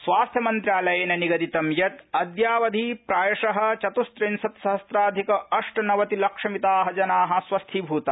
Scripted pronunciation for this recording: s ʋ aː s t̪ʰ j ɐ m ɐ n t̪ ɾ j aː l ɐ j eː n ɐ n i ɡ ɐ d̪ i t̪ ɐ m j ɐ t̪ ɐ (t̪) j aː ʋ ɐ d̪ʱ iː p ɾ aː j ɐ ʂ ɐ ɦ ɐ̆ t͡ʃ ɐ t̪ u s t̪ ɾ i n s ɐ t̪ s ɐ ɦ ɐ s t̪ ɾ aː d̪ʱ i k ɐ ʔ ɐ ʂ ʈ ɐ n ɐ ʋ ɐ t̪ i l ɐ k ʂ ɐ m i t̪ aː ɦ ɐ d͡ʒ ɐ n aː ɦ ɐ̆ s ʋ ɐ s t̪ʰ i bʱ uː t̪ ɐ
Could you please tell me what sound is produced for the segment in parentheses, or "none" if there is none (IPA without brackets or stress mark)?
d̪